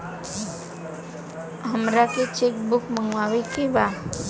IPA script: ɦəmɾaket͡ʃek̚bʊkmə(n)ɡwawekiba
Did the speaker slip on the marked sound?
yes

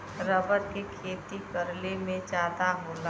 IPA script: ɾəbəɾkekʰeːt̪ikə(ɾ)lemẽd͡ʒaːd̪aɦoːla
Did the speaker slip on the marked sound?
no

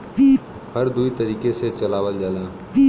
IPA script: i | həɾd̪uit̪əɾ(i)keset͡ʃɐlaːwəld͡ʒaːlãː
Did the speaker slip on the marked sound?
yes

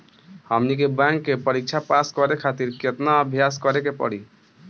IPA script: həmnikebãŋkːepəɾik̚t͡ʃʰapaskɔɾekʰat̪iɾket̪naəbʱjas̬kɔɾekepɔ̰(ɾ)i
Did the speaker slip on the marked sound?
yes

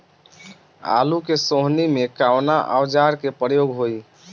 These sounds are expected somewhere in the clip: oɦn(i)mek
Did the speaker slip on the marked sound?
no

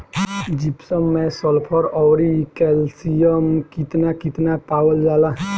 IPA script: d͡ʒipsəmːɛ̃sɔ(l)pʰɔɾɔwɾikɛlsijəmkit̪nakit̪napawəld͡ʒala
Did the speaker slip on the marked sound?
no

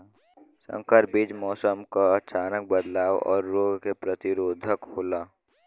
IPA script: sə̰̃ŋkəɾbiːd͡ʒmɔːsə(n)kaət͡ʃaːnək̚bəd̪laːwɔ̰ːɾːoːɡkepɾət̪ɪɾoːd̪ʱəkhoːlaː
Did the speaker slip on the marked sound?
yes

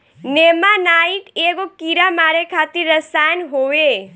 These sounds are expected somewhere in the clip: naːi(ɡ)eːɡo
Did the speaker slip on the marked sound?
yes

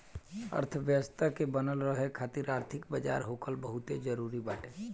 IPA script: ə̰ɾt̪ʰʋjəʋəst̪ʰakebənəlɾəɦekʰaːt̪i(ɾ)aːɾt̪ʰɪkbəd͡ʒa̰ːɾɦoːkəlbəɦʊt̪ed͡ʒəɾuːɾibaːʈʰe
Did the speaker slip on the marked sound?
no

